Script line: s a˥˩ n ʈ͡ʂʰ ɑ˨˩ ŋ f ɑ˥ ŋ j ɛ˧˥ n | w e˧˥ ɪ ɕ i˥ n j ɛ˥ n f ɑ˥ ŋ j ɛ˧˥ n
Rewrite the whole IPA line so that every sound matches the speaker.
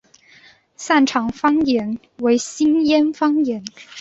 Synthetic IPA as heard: s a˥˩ n ʈ͡ʂʰ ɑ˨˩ ŋ f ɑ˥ ŋ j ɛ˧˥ n | w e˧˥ ɪ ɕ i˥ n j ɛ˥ n f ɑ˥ ŋ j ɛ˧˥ n